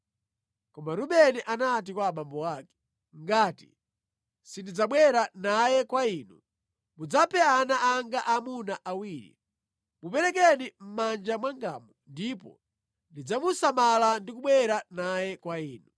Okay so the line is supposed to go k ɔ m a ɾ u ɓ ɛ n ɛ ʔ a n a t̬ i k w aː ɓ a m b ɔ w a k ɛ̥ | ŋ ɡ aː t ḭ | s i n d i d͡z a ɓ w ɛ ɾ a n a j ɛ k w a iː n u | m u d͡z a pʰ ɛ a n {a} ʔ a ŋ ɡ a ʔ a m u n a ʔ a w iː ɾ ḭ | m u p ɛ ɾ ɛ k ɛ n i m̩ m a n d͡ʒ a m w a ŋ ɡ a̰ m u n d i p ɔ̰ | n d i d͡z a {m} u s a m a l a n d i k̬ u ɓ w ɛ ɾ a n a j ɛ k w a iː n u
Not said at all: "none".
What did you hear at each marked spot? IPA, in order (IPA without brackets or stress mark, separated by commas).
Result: a, m